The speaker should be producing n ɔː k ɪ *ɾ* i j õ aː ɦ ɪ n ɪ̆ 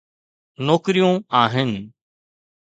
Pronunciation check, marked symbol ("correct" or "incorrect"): correct